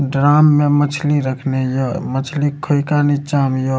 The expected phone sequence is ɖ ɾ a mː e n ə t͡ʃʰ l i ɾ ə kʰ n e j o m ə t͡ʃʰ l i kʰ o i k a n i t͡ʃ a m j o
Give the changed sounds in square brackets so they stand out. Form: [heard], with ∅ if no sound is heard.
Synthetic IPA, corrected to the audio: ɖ ɾ a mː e [m] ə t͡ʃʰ l i ɾ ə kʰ n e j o m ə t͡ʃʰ l i kʰ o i k a n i t͡ʃ a m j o